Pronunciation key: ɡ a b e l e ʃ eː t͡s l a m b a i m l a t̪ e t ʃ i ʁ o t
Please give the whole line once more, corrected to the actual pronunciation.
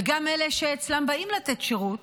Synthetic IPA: ɡ a m e l e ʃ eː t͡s l a m b a i m l a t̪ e t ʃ e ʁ u t